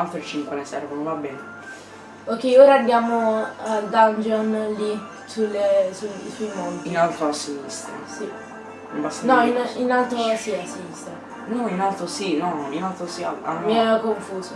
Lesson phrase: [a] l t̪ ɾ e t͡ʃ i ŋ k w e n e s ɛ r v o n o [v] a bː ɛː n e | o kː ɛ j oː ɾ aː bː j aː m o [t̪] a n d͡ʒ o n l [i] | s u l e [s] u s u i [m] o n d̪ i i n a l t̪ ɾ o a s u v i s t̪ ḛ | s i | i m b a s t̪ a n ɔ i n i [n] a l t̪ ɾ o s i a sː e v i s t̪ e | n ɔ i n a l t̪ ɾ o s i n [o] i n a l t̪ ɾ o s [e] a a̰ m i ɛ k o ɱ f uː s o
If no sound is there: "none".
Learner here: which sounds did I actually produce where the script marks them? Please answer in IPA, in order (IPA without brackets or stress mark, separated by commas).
a, v, d̪, i, s, m, n, ɔ, i